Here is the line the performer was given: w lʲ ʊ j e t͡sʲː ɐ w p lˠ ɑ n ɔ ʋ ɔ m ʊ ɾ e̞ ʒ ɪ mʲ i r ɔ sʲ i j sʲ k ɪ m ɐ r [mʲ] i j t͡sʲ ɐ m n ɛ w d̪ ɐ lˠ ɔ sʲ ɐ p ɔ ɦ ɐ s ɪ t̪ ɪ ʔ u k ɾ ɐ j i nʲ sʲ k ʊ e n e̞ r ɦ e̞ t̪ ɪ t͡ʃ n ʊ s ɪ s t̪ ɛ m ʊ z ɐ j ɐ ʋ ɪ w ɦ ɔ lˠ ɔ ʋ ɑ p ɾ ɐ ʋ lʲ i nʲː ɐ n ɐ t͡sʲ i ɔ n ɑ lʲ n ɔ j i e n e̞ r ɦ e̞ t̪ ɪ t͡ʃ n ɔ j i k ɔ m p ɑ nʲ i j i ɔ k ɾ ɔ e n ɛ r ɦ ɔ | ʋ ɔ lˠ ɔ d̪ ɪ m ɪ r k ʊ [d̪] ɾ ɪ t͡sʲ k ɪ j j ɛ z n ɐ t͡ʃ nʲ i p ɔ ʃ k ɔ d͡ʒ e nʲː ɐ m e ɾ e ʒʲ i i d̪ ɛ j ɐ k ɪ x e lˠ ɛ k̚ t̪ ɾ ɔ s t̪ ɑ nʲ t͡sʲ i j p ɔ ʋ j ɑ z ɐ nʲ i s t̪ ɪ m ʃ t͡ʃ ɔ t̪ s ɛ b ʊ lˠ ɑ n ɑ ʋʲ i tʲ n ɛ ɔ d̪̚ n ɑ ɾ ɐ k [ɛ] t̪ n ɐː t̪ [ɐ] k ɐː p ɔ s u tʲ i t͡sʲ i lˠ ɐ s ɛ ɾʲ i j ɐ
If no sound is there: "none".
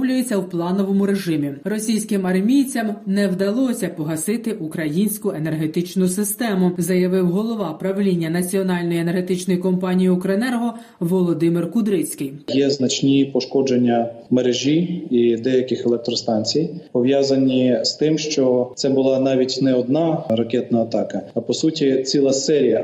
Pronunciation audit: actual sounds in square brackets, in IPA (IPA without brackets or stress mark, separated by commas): mʲ, d̪, ɛ, ɑ